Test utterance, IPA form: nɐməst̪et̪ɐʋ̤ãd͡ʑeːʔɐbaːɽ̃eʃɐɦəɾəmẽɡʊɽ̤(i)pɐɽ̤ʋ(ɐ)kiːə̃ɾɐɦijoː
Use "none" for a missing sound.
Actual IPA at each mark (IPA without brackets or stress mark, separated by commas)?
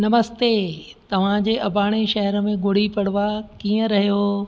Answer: i, a